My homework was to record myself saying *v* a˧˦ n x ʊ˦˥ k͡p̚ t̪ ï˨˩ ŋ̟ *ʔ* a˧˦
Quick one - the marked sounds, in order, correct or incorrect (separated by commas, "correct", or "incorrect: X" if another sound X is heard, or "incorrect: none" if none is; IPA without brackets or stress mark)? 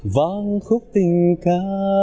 correct, incorrect: k